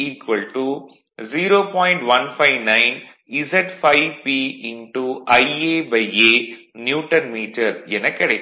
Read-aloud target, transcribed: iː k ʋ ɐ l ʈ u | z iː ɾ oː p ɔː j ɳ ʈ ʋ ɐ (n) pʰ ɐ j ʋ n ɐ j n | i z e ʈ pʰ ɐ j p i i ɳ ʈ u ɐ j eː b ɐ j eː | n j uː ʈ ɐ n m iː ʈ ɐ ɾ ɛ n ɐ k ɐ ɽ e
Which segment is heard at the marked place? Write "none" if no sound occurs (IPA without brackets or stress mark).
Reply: n